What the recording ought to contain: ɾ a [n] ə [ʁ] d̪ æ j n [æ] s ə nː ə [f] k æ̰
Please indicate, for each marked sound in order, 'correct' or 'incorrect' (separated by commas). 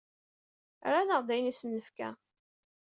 correct, correct, incorrect, correct